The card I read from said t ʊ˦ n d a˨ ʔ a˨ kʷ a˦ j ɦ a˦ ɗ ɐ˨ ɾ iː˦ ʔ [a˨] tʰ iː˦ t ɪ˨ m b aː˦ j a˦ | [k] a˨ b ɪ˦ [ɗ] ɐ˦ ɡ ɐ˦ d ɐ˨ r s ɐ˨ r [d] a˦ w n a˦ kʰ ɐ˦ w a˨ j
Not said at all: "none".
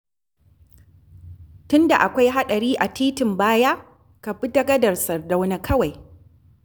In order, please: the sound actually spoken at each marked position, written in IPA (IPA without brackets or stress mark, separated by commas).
a˨, k, d, d